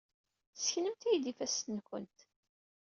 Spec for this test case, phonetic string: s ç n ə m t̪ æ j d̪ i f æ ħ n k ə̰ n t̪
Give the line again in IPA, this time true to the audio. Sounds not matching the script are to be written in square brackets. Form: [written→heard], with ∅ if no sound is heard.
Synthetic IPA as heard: s ç n ə m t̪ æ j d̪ i f æ [ħ→s] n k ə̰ n t̪

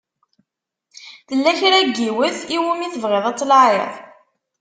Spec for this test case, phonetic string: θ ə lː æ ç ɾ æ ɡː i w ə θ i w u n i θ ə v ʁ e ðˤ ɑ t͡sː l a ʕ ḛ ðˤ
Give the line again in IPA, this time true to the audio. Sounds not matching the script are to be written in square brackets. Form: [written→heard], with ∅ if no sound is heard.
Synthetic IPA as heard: θ ə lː æ ç ɾ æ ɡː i w ə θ i w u [n→m] i θ ə v ʁ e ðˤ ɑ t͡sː l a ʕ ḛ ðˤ

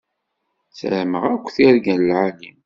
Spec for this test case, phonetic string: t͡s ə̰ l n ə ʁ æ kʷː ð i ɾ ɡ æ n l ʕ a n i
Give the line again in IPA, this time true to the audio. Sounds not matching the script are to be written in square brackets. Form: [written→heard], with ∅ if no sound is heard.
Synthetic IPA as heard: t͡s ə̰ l [n→m] ə ʁ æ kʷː [ð→θ] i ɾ ɡ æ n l ʕ a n i

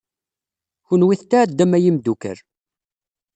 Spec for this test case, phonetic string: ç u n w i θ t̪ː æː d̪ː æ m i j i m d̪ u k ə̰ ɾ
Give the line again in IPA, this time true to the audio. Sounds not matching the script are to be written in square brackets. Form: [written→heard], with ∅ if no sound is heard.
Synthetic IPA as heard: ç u n w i θ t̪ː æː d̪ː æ m [i→æ] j i m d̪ u k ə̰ ɾ

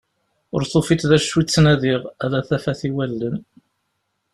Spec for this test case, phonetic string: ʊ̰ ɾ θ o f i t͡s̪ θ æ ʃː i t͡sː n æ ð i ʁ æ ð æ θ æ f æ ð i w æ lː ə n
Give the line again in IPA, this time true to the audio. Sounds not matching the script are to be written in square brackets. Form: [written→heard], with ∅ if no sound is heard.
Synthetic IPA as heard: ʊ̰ ɾ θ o f i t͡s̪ [θ→ð] æ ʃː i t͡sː n æ ð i ʁ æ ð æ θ æ f æ [ð→θ] i w æ lː ə n

